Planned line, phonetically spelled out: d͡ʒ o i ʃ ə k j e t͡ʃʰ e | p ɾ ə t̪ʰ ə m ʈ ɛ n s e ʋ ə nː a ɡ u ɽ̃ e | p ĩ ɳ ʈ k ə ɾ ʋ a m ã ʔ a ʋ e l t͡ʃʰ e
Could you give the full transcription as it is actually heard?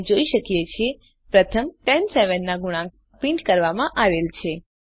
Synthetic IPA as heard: d͡ʒ o i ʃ ə k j e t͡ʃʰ e | p ɾ ə t̪ʰ ə m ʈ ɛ n s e ʋ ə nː a ɡ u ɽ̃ a | p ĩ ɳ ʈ k ə ɾ ʋ a m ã ʔ a ʋ e l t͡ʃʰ e